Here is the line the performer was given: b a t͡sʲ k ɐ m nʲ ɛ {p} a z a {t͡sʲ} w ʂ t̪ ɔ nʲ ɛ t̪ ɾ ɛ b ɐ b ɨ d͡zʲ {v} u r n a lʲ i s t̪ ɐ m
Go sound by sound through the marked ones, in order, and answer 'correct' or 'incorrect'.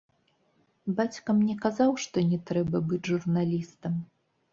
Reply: incorrect, incorrect, incorrect

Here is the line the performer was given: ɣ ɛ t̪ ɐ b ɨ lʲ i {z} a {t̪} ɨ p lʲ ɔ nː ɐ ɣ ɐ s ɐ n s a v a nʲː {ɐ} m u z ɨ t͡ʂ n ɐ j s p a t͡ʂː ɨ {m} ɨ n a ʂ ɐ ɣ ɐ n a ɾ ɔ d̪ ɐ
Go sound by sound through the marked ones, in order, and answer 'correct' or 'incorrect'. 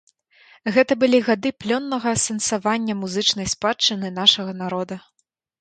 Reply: incorrect, incorrect, correct, incorrect

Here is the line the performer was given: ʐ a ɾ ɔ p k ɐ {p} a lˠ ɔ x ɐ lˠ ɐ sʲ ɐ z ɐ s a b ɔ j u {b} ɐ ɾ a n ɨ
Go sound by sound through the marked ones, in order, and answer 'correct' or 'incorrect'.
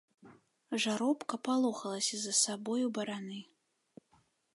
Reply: correct, correct

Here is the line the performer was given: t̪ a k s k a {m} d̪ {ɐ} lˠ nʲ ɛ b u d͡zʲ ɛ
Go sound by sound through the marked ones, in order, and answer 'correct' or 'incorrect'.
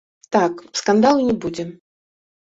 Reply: incorrect, incorrect

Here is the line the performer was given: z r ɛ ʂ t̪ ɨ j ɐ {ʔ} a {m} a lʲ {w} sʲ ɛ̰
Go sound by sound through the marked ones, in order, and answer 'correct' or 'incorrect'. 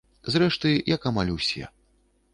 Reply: incorrect, correct, correct

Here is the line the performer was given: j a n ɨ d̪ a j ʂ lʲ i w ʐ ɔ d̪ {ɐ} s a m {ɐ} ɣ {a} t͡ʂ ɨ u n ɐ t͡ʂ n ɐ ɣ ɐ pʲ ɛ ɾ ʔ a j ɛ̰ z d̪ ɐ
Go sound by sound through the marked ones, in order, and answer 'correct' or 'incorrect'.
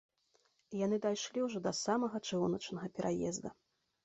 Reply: correct, correct, incorrect

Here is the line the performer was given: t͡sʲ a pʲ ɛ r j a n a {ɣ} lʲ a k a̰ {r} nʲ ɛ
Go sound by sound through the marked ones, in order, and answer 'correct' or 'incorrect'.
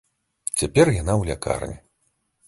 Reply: incorrect, correct

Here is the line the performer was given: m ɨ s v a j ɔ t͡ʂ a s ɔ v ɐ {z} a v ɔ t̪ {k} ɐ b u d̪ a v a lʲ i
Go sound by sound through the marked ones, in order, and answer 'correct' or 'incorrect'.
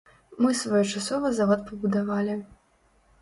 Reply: correct, incorrect

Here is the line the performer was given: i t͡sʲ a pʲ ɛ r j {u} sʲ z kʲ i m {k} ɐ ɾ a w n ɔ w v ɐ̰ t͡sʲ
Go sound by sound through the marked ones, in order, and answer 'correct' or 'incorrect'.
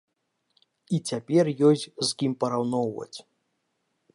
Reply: incorrect, incorrect

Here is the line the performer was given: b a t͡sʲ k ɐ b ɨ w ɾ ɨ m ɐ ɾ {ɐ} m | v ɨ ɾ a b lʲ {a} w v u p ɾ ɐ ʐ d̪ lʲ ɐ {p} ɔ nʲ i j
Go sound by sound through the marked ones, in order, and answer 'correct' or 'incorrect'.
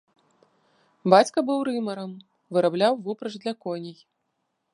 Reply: correct, correct, incorrect

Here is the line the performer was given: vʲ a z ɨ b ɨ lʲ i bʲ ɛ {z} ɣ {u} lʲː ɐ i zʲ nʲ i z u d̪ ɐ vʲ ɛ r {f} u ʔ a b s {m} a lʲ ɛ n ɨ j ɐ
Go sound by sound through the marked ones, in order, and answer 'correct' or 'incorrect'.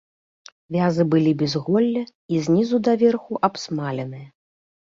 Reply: correct, incorrect, incorrect, correct

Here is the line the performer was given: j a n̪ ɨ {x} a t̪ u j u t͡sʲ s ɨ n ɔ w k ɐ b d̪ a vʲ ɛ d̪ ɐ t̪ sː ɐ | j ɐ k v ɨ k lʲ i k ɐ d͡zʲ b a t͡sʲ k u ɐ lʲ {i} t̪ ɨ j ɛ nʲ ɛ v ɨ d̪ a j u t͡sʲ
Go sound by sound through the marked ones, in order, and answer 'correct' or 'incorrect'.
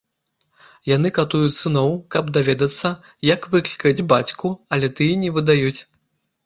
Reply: incorrect, incorrect

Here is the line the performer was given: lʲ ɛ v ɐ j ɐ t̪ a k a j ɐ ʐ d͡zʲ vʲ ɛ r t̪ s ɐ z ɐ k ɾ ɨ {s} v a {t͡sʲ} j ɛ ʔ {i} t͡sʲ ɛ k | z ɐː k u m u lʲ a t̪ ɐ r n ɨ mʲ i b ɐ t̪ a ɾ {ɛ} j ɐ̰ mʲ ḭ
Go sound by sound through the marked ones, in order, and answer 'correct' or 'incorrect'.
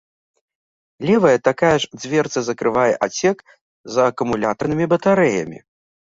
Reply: incorrect, incorrect, incorrect, correct

